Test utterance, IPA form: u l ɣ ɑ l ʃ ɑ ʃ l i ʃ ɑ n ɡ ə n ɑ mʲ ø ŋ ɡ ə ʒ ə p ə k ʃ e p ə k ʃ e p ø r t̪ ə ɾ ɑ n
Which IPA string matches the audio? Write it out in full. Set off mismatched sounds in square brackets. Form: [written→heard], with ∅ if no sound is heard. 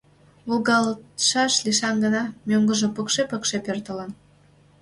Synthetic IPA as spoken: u l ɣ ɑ l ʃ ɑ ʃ l i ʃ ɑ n ɡ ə n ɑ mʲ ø ŋ ɡ ə ʒ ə p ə k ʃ e p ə k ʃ e p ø r t̪ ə [ɾ→l] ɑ n